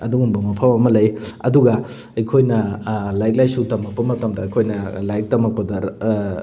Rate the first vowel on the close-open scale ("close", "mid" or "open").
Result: open